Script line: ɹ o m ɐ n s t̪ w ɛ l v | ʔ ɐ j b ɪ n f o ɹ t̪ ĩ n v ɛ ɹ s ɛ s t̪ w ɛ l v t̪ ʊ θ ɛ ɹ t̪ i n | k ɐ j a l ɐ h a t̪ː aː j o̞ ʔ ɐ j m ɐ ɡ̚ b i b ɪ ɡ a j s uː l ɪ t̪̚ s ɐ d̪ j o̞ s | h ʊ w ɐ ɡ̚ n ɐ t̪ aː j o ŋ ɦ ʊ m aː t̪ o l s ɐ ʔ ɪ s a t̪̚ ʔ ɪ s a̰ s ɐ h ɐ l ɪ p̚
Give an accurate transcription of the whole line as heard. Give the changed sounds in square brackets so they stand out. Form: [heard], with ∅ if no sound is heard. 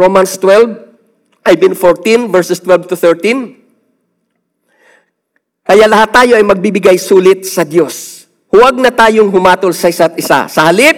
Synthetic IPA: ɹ o m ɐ n s t̪ w ɛ l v | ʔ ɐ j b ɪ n f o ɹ t̪ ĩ n v ɛ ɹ s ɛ s t̪ w ɛ l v t̪ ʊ θ ɛ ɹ t̪ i n | k ɐ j a l ɐ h a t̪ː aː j o̞ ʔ ɐ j m ɐ ɡ̚ b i b ɪ ɡ a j s uː l ɪ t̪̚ s ɐ d̪ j o̞ s | h ʊ w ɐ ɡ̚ n ɐ t̪ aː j o ŋ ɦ ʊ m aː t̪ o l s ɐ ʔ ɪ s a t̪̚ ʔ ɪ s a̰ s ɐ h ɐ l ɪ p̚